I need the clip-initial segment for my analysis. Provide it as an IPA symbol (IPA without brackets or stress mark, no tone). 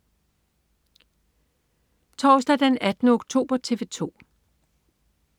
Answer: t͡sʰ